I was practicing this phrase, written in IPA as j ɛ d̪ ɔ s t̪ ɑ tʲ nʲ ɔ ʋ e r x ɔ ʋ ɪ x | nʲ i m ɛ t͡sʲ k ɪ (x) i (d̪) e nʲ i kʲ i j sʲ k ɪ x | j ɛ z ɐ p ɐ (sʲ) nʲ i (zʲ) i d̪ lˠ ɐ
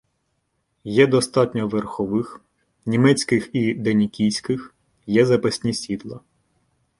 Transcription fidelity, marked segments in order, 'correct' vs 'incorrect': correct, correct, correct, incorrect

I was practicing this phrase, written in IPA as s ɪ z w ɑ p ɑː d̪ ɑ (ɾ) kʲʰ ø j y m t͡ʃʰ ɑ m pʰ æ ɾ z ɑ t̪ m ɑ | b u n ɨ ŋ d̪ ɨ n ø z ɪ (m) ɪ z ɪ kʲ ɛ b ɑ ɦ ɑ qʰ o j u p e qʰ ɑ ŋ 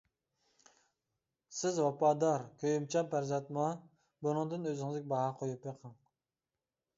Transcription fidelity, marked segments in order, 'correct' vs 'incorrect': correct, incorrect

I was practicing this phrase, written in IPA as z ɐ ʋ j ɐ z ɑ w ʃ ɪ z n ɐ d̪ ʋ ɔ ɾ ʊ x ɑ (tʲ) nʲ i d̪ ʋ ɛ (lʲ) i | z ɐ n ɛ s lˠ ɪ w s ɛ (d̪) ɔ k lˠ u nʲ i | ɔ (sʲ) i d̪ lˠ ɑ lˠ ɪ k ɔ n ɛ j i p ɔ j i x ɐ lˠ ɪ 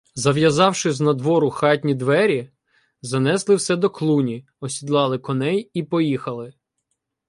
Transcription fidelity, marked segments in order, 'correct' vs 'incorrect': correct, incorrect, correct, correct

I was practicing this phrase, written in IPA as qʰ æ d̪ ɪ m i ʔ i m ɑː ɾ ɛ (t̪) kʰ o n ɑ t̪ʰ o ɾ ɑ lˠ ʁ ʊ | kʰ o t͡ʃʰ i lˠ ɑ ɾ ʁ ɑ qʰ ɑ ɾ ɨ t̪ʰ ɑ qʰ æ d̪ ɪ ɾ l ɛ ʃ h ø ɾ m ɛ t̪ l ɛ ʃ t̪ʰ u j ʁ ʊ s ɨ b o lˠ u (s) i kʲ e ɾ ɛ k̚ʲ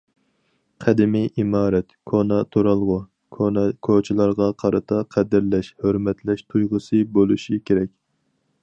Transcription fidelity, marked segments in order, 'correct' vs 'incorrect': correct, incorrect

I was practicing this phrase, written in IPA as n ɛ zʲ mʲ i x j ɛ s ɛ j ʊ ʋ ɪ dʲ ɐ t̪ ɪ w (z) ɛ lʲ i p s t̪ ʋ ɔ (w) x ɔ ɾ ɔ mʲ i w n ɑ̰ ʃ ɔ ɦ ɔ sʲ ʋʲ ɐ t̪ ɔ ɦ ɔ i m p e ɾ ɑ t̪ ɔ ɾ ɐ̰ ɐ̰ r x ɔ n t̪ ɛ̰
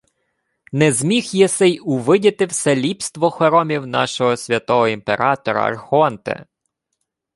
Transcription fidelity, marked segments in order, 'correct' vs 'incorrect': incorrect, incorrect

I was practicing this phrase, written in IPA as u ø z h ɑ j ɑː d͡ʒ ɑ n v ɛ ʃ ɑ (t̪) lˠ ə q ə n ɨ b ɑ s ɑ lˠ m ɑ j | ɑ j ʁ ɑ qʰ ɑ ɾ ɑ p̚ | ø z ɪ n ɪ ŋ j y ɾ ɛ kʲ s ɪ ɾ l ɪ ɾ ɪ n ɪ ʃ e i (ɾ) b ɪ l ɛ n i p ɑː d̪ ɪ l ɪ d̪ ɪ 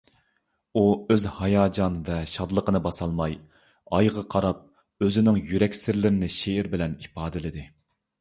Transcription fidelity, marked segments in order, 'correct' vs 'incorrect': incorrect, correct

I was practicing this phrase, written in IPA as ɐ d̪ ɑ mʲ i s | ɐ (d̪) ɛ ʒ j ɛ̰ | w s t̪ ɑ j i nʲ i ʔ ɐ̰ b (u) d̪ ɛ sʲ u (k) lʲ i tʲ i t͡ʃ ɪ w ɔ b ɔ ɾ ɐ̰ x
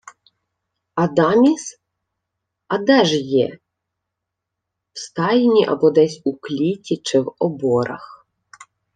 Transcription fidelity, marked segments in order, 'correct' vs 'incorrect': correct, incorrect, correct

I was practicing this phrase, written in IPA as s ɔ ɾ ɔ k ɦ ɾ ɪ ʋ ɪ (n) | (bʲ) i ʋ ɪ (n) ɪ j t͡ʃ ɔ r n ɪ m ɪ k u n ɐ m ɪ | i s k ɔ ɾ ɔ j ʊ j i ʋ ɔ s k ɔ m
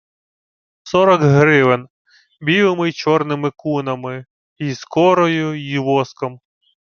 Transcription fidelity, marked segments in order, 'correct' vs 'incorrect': correct, correct, incorrect

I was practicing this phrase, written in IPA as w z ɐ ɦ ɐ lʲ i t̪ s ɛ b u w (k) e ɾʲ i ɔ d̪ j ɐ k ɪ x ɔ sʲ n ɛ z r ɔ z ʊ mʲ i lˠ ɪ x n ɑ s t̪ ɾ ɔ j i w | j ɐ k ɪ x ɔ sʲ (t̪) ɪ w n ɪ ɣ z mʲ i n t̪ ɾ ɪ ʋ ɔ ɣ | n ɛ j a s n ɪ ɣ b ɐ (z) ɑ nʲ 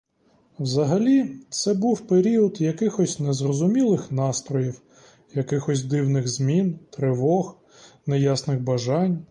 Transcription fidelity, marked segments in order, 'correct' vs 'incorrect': incorrect, incorrect, incorrect

